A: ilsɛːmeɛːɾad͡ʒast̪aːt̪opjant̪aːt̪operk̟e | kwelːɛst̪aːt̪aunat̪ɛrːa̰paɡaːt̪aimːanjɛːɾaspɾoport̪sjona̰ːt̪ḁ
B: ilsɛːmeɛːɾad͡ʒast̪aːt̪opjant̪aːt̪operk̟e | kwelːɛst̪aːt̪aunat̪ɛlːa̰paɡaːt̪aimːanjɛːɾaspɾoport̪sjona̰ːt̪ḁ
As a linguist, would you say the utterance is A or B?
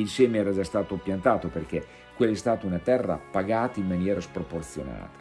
A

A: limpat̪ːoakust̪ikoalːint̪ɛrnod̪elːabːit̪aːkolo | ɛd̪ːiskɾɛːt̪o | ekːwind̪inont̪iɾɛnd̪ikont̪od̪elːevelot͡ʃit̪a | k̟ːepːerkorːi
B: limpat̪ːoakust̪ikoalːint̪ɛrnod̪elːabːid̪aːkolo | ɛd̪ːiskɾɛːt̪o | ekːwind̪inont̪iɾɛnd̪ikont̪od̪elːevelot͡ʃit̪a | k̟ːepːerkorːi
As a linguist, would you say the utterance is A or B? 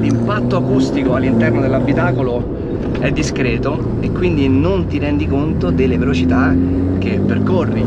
A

